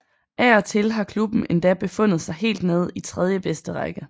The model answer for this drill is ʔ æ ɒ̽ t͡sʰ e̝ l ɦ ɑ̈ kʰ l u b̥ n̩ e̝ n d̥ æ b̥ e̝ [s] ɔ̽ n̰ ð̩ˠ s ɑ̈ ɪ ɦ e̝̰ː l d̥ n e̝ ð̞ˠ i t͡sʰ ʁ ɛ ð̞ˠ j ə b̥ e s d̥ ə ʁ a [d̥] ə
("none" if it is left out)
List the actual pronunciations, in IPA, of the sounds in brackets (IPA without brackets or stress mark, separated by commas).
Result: f, ɡ̥